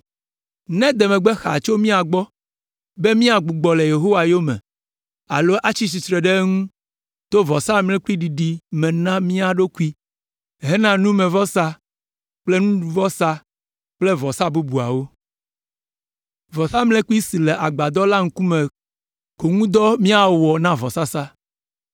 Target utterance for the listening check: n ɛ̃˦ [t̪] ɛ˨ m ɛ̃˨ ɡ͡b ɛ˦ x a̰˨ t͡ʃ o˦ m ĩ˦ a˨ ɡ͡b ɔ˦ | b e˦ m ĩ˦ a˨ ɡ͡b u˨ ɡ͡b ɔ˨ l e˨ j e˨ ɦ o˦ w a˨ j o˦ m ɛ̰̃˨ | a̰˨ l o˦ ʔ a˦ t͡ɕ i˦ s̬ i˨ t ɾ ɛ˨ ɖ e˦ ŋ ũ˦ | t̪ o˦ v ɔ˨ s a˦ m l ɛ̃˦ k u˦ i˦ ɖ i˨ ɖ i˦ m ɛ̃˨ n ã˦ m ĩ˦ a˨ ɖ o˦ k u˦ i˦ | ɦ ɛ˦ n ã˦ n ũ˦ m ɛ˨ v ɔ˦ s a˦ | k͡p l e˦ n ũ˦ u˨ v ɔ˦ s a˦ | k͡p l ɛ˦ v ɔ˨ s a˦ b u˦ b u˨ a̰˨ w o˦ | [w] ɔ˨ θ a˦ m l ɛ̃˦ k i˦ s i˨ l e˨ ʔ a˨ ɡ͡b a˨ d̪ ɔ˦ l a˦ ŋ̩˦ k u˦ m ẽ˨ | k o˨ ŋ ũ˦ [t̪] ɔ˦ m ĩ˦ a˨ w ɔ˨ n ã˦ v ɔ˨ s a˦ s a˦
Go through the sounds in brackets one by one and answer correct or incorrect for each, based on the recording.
incorrect, incorrect, incorrect

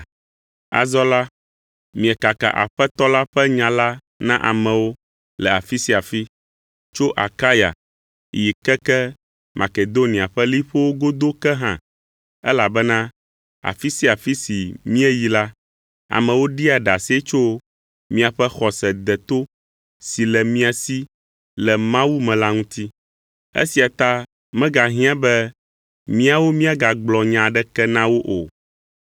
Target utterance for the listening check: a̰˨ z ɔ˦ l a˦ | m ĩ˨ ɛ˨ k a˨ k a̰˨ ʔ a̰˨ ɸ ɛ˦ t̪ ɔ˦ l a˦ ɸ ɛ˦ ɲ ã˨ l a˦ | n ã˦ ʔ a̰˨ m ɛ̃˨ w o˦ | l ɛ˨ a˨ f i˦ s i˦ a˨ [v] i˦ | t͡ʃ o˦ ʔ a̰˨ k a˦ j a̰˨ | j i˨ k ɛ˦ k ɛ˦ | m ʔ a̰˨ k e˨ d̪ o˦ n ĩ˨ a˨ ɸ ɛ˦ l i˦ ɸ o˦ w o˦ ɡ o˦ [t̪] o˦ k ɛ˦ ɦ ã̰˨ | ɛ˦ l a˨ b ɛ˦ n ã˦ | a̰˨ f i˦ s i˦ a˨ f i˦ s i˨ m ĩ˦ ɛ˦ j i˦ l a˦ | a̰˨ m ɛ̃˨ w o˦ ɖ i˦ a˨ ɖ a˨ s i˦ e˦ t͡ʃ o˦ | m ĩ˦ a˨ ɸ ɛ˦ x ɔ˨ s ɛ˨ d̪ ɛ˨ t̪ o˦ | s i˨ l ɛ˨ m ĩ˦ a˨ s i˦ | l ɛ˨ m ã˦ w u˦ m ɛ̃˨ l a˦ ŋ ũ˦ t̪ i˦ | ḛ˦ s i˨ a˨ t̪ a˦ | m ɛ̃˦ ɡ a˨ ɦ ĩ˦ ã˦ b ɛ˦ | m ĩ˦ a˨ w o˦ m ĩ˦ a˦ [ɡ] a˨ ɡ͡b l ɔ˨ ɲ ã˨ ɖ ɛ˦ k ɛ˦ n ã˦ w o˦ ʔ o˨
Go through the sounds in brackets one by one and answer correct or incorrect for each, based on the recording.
incorrect, incorrect, correct

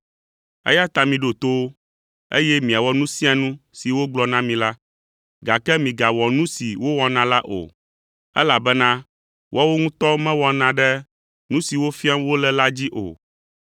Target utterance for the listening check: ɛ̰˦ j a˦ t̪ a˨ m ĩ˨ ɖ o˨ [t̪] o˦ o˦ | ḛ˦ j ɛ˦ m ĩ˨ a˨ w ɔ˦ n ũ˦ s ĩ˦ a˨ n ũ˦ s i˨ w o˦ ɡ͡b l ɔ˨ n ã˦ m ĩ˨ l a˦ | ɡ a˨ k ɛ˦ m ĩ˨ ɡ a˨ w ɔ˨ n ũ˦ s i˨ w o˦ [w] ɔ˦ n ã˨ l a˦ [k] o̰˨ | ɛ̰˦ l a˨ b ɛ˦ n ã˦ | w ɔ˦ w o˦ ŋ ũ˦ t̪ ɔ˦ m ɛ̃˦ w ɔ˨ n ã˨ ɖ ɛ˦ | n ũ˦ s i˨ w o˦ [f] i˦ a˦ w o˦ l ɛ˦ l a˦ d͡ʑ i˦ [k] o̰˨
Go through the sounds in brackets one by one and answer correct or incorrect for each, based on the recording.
correct, correct, incorrect, correct, incorrect

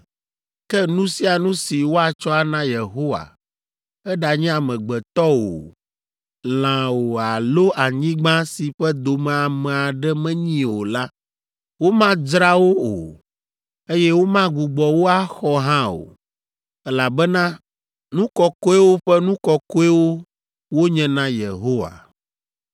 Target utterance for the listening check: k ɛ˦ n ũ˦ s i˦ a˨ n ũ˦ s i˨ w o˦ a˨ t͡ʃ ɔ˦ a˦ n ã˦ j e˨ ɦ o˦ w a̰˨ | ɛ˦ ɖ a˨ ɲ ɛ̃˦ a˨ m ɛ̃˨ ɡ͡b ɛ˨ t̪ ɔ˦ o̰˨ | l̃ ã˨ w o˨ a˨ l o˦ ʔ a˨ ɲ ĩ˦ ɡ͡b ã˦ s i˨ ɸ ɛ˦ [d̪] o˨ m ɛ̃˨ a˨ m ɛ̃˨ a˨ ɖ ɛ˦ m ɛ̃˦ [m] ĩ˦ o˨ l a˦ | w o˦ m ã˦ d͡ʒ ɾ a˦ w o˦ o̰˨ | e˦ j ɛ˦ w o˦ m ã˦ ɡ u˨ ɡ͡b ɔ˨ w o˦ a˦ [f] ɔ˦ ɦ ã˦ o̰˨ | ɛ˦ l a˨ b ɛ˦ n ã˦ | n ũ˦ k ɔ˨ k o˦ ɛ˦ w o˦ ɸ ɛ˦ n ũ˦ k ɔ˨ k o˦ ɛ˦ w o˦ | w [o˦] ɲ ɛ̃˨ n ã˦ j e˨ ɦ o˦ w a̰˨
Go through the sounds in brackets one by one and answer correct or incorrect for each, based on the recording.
correct, incorrect, incorrect, correct

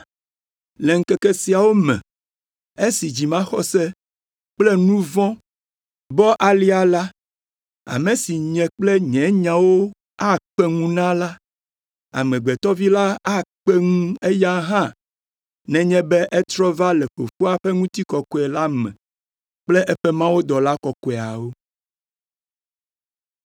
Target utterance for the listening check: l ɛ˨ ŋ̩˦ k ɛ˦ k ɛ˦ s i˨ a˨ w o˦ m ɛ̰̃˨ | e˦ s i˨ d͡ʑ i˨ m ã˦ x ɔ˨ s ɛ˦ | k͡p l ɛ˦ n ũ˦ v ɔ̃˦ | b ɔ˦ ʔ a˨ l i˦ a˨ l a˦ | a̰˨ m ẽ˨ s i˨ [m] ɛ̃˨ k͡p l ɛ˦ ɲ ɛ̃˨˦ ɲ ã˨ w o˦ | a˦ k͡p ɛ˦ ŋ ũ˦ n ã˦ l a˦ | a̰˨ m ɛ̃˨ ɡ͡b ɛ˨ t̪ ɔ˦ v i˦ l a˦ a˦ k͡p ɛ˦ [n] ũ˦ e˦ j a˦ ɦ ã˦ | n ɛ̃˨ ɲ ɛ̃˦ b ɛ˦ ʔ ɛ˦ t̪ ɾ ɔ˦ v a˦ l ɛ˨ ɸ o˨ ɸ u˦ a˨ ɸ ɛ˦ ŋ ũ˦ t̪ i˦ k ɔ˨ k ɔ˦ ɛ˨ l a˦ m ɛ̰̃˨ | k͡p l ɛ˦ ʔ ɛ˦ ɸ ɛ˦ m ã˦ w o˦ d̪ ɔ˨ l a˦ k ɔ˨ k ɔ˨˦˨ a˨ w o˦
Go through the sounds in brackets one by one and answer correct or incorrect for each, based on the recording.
incorrect, incorrect

